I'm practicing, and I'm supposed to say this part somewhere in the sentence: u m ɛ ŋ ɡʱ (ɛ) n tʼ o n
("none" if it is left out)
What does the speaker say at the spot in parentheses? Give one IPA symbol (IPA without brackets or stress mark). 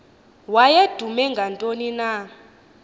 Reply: a